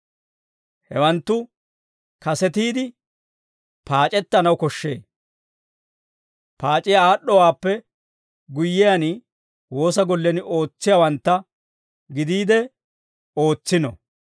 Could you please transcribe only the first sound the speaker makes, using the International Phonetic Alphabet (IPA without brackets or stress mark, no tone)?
h